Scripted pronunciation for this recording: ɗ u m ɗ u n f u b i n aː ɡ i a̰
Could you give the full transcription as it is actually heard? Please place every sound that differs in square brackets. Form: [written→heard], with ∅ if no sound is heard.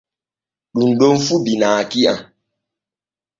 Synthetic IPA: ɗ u [m→n] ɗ [u→o] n f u b i n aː [ɡ→k] i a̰